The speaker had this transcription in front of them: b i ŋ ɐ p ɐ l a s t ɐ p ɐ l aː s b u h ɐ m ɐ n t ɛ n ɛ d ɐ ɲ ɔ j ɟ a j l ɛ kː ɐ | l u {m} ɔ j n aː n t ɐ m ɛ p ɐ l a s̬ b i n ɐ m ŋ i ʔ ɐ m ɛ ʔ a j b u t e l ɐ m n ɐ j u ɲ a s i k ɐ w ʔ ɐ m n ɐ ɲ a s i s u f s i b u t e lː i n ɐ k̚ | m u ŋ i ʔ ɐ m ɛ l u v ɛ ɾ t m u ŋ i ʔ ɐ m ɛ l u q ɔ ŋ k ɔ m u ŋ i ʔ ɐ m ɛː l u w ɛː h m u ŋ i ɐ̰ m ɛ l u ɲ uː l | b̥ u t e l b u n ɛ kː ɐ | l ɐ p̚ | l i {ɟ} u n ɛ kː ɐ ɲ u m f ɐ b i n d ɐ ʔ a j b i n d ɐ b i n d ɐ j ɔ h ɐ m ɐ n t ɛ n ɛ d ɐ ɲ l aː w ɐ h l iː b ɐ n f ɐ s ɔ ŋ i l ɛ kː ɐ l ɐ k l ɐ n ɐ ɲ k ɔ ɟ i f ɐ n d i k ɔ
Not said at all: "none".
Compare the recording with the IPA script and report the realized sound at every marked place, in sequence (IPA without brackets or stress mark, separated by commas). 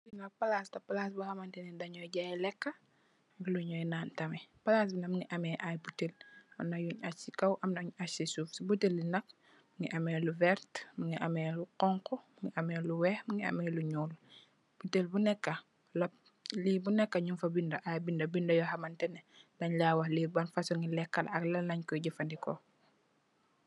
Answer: ɲ, b